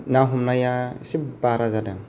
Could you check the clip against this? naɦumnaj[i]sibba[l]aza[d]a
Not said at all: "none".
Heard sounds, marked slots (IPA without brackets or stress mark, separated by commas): a, ɾ, d